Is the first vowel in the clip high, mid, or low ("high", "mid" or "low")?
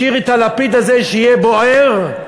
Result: high